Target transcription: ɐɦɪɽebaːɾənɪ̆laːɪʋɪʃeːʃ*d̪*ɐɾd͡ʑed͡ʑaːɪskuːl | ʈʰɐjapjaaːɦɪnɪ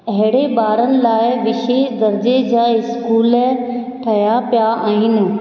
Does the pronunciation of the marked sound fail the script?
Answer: no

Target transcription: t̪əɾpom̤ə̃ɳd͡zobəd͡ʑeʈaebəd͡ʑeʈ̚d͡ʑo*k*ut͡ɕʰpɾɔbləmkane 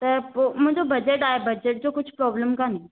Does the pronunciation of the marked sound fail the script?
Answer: no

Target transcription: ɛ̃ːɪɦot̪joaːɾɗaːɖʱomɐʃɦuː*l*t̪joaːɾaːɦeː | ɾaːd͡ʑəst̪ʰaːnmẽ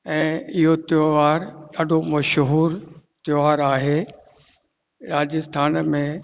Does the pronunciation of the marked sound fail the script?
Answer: yes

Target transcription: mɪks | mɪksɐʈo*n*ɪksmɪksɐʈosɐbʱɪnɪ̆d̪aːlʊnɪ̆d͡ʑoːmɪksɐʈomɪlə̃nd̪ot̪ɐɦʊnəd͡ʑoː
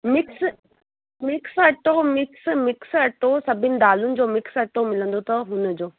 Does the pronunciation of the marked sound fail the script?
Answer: yes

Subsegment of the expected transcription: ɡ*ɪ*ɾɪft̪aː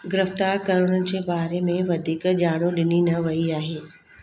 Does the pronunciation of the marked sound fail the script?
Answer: no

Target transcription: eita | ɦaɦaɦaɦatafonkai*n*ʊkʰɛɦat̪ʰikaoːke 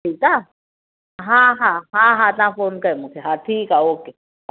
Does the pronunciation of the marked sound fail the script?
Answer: yes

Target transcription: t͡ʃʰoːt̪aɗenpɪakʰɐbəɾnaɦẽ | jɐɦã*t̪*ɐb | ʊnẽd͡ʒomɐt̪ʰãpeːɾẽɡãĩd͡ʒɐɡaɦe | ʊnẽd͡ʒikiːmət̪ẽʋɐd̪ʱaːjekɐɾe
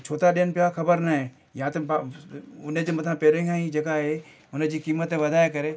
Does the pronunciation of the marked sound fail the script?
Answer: no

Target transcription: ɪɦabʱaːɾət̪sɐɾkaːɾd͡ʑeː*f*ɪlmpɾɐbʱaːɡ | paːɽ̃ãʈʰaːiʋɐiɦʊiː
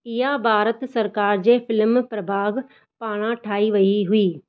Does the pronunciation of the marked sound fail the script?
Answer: no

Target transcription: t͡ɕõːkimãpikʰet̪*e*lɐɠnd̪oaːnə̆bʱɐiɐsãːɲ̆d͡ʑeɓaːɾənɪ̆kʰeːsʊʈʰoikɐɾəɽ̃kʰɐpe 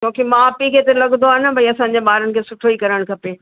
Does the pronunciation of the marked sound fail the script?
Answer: no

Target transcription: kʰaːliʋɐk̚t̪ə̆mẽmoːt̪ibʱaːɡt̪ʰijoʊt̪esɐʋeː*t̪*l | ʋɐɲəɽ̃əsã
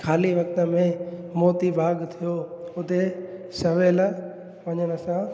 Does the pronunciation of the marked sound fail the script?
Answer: yes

